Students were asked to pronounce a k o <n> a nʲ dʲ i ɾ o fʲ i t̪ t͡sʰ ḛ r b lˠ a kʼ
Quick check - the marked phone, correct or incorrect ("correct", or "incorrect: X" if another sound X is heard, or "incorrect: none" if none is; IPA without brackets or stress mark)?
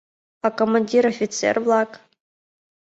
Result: incorrect: m